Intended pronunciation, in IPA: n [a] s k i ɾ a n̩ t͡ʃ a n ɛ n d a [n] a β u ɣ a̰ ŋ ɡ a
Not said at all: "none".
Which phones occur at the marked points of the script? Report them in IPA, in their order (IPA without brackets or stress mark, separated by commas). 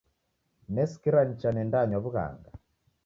ɛ, ɲ